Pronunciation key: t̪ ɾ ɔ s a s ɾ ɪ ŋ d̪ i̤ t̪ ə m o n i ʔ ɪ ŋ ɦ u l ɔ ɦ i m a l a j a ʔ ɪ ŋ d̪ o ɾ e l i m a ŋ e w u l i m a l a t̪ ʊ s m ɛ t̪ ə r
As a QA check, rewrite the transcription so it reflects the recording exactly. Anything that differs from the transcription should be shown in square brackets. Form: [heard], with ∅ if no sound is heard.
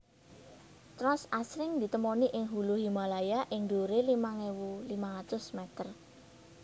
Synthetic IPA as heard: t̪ ɾ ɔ s a s ɾ ɪ ŋ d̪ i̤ t̪ ə m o n i ʔ ɪ ŋ ɦ u l [u] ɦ i m a l a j a ʔ ɪ ŋ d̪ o ɾ e l i m a ŋ e w u l i m a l a t̪ ʊ s m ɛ t̪ ə r